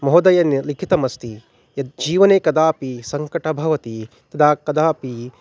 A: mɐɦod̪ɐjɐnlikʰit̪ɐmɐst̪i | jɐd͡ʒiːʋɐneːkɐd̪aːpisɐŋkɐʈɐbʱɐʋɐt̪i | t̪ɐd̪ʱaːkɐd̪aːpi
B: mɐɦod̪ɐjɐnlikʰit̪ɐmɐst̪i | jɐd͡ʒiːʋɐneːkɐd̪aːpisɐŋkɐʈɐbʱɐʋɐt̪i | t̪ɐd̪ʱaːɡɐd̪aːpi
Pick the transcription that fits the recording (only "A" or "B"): A